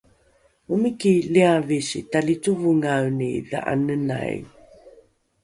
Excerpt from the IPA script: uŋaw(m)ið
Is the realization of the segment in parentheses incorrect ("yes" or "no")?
yes